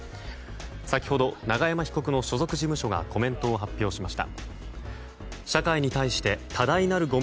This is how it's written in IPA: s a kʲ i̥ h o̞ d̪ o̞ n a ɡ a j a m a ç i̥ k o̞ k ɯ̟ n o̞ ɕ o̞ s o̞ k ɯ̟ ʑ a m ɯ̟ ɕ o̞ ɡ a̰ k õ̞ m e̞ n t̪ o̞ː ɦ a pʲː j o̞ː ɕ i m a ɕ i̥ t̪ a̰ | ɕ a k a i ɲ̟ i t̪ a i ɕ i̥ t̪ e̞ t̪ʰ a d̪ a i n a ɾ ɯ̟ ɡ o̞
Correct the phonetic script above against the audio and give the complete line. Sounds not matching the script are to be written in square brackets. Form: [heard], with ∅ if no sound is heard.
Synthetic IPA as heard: s a kʲ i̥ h o̞ d̪ o̞ n a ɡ a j a m a ç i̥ k o̞ k ɯ̟ n o̞ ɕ o̞ [z] o̞ k ɯ̟ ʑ [i] m ɯ̟ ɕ o̞ ɡ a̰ k [o̞] m [ẽ̞] n t̪ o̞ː ɦ a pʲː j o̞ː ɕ i m a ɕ i̥ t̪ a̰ | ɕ a k a i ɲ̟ i t̪ a i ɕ i̥ t̪ e̞ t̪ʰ a d̪ a i n a ɾ ɯ̟ ɡ o̞